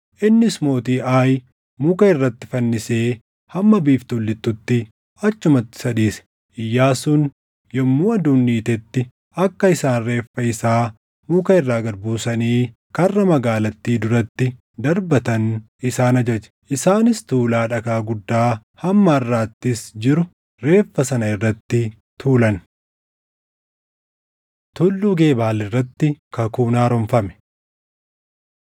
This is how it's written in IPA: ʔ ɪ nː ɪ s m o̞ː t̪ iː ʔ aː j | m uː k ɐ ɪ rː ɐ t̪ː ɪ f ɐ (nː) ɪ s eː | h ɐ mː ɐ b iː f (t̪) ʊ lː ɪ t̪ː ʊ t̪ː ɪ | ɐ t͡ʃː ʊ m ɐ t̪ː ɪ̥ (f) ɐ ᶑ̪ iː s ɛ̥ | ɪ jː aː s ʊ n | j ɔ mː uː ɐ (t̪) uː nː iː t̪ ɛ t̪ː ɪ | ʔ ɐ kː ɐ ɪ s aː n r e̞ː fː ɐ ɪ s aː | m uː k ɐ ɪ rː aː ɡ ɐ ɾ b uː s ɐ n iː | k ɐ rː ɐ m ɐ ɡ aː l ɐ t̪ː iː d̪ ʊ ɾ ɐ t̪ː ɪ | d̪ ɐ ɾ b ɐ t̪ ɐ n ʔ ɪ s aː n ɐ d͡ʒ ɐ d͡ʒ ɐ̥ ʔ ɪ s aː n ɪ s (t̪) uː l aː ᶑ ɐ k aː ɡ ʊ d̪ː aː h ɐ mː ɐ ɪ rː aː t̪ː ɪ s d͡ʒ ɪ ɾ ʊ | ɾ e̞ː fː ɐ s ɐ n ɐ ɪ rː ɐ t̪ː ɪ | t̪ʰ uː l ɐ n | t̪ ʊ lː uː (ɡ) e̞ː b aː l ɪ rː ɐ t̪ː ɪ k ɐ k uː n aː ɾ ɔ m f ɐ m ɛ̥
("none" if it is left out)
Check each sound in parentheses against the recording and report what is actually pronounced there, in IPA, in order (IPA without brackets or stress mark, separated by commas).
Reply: nː, t̪, s, d̪, t̪, ɡ